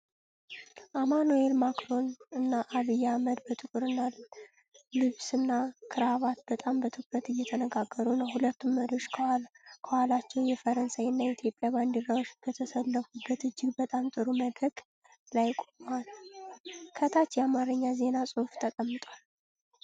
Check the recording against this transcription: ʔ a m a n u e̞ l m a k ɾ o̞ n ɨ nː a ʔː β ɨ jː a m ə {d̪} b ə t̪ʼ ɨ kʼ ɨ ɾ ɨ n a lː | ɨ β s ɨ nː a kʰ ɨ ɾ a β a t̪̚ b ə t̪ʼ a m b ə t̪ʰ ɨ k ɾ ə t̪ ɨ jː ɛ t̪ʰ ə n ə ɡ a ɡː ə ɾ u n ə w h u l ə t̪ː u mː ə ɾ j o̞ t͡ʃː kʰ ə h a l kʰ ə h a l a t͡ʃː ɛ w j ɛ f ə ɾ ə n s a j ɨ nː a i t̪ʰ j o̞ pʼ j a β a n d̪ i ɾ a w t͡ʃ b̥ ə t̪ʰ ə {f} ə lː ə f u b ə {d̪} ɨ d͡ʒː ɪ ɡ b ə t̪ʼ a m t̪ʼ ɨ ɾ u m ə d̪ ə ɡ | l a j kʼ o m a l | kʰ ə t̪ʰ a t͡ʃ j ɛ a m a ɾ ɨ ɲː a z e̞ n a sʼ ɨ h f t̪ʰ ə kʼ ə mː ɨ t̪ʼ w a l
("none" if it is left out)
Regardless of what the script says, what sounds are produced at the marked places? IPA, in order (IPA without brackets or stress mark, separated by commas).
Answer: d̪, s, t̪